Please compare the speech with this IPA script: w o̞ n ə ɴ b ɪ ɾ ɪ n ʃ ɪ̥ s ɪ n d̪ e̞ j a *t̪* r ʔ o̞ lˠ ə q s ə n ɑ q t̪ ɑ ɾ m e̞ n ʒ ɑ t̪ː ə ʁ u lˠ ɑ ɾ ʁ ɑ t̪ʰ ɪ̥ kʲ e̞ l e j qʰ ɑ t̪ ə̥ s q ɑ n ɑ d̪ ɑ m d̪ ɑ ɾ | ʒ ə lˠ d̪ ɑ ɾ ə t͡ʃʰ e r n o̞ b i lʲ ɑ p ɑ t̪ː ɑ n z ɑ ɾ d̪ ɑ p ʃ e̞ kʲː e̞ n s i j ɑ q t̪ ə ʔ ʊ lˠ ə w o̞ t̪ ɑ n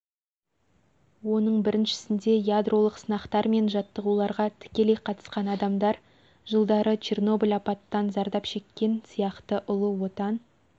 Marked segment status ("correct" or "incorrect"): incorrect